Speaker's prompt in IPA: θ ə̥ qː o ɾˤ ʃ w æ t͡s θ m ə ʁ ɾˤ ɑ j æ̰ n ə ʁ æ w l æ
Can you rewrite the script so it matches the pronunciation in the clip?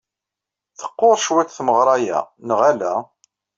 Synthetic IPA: θ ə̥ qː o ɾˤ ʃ w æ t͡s θ m ə ʁ ɾˤ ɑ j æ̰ n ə ʁ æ l æ